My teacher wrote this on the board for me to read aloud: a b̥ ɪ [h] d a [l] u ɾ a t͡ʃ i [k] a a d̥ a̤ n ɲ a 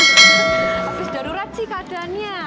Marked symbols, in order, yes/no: no, no, yes

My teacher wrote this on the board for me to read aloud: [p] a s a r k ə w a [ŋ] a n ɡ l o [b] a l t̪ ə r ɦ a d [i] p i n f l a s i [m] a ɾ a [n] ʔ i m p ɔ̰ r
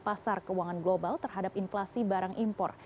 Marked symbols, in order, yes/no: yes, yes, yes, no, no, no

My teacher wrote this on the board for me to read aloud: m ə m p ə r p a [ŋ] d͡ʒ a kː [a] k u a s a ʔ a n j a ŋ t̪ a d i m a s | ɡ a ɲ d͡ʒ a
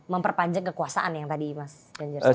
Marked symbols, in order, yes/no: no, no

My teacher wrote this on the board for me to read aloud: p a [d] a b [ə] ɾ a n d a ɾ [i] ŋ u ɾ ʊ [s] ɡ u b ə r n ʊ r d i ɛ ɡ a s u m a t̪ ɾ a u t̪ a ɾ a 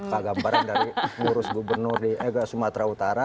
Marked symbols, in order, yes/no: no, no, yes, yes

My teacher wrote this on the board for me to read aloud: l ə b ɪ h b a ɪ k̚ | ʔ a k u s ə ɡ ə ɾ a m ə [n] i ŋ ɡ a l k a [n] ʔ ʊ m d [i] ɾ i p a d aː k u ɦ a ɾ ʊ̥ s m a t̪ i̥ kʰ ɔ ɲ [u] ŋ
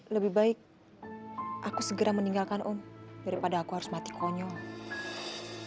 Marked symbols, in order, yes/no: yes, yes, no, no

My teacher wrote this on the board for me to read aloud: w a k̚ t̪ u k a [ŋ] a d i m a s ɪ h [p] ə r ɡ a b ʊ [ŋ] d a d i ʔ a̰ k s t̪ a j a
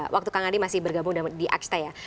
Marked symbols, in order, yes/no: yes, no, yes

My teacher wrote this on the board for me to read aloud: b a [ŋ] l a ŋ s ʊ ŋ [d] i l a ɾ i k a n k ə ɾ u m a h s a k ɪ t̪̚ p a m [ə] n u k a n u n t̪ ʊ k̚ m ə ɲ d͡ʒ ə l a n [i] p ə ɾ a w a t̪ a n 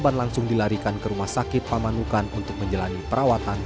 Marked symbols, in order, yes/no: no, yes, no, yes

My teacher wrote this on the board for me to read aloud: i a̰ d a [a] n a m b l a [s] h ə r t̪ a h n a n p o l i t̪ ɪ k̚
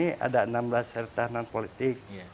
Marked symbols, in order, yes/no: no, yes

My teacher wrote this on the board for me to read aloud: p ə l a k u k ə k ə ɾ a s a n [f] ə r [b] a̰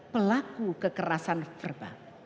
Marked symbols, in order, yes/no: yes, yes

